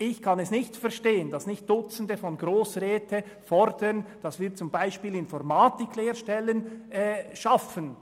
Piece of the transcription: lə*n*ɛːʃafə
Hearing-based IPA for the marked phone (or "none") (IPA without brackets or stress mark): n